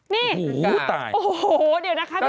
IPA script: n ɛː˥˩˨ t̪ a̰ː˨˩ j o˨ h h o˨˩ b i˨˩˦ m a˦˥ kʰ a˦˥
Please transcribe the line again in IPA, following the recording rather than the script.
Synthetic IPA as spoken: n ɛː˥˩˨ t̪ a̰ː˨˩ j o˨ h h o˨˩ d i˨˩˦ n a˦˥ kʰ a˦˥

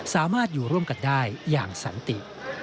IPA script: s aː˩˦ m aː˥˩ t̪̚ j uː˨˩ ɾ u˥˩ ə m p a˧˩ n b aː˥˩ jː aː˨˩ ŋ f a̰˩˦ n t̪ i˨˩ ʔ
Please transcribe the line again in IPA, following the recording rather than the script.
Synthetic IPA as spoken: s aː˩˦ m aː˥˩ t̪̚ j uː˨˩ ɾ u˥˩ ə m k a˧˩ n d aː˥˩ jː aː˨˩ ŋ s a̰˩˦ n t̪ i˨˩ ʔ

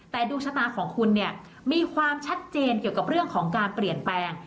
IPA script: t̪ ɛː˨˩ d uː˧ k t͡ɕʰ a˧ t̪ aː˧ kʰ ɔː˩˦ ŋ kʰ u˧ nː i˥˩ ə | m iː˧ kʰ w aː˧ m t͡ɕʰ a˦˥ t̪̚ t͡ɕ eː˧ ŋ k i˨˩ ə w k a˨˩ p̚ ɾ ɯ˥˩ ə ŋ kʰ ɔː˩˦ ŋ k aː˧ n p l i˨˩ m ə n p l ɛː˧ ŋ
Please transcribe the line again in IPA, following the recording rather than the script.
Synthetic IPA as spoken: t̪ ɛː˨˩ d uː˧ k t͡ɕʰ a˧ t̪ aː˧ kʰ ɔː˩˦ ŋ kʰ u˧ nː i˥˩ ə | m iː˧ kʰ w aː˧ m t͡ɕʰ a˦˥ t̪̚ t͡ɕ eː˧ n k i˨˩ ə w k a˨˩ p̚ ɾ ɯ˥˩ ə ŋ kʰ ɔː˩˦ ŋ k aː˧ n p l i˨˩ ə n p l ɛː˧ ŋ

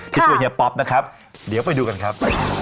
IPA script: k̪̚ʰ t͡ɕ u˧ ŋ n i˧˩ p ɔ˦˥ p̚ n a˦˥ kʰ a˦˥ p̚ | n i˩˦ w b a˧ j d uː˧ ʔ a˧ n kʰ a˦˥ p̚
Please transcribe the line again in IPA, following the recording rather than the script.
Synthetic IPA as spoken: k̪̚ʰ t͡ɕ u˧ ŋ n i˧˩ p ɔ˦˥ p̚ n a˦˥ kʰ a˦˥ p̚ | d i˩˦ w p a˧ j d uː˧ k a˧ n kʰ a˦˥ p̚

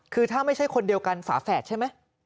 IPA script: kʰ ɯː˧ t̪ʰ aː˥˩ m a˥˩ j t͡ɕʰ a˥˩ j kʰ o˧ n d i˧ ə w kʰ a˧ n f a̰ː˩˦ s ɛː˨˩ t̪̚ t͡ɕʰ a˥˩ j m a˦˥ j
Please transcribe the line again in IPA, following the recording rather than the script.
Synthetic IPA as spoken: kʰ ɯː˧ t̪ʰ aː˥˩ m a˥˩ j t͡ɕʰ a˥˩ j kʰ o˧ n d i˧ ə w k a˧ n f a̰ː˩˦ f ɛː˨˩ t̪̚ t͡ɕʰ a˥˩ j m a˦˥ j

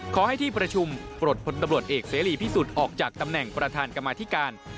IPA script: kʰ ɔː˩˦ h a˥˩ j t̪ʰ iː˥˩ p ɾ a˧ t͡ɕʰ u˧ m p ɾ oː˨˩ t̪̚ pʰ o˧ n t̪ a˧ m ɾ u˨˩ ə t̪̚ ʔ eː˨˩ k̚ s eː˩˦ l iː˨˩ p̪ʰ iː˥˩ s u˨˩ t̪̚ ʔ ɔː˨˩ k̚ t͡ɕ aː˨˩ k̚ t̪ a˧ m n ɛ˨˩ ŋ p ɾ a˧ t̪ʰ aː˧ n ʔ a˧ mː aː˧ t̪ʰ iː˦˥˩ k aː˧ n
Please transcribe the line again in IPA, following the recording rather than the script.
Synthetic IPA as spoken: kʰ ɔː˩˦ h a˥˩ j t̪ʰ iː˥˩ p ɾ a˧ t͡ɕʰ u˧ m p ɾ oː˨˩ t̪̚ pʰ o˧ n t̪ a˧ m ɾ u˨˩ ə t̪̚ ʔ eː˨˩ k̚ s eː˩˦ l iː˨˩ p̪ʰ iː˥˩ s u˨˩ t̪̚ ʔ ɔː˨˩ k̚ t͡ɕ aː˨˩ k̚ t̪ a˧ m n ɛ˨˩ ŋ p ɾ a˧ t̪ʰ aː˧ n k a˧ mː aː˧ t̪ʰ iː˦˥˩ k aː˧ n

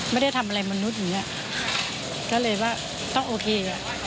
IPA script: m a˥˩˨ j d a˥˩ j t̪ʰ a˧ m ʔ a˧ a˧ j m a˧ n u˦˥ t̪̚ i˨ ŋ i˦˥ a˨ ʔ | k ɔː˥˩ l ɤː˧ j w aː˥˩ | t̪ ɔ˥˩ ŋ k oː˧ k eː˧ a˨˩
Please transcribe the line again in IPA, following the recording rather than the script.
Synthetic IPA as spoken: m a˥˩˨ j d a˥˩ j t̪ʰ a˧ m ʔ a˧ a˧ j m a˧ n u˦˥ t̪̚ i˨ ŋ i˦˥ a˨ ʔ | k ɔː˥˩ l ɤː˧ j w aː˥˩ | t̪ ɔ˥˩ ŋ ʔ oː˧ kʰ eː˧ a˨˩

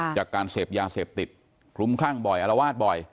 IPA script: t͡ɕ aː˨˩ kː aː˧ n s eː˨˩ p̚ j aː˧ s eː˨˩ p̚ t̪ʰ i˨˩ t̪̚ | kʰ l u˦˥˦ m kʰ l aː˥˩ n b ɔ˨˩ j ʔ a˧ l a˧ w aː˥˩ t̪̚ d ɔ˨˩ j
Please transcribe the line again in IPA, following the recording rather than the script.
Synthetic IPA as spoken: t͡ɕ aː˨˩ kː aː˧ n s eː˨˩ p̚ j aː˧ s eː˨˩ p̚ t̪ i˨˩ t̪̚ | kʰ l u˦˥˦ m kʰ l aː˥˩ ŋ b ɔ˨˩ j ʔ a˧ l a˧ w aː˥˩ t̪̚ b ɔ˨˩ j

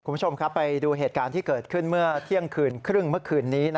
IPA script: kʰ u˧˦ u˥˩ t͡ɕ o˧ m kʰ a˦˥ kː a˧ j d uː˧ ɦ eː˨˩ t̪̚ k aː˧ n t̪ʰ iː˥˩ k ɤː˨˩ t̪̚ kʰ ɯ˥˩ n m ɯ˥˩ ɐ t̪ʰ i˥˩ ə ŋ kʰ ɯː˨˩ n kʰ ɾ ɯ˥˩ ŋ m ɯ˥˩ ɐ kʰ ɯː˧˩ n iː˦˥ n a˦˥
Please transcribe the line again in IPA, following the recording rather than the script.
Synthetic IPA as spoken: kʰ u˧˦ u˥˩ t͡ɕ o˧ m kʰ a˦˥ pː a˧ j d uː˧ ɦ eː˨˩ t̪̚ k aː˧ n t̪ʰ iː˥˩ k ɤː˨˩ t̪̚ kʰ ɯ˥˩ n m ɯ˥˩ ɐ t̪ʰ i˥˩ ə ŋ kʰ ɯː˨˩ n kʰ ɾ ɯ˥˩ ŋ m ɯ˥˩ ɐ kʰ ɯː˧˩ nː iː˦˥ n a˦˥

